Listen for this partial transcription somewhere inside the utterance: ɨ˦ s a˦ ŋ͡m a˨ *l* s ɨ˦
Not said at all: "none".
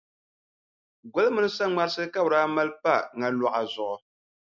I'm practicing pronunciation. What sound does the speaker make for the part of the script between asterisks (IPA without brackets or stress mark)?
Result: ɾ